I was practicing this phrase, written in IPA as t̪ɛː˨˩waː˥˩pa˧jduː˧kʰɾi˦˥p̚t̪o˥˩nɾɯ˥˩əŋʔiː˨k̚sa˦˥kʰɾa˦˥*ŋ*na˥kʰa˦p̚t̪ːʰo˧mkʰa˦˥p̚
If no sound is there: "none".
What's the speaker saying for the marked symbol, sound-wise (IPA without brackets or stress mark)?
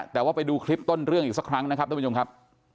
ŋ